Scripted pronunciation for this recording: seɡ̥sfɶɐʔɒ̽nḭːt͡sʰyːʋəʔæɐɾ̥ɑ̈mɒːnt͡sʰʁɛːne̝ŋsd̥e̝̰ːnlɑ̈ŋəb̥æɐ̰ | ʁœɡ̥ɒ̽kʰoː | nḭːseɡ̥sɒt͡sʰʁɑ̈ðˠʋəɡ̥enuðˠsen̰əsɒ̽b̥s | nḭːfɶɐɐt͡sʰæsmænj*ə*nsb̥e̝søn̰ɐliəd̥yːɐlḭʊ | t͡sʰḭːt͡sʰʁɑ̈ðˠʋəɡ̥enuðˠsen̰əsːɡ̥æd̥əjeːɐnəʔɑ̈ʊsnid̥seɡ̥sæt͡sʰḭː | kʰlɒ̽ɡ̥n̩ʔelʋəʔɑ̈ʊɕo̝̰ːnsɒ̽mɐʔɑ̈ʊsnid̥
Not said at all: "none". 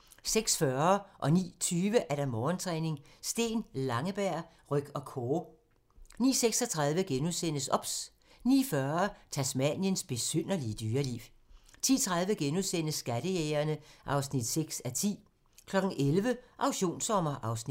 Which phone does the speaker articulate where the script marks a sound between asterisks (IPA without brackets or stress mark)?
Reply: ə